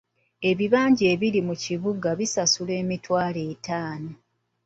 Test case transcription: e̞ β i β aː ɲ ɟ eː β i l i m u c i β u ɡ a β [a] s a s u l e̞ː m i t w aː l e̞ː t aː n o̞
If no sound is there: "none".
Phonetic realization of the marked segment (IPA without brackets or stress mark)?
i